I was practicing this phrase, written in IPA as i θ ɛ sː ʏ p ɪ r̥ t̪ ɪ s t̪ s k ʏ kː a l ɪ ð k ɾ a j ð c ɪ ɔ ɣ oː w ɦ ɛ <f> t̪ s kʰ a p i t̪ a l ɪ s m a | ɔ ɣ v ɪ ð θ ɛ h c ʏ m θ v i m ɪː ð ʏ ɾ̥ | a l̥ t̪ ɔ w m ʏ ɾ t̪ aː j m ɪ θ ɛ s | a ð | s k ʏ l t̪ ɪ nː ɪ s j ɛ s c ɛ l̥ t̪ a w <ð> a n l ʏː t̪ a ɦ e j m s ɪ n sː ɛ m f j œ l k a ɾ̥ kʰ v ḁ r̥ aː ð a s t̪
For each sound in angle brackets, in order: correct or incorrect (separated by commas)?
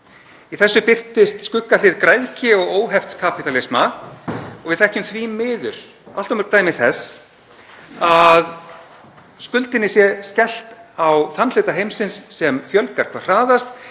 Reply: correct, incorrect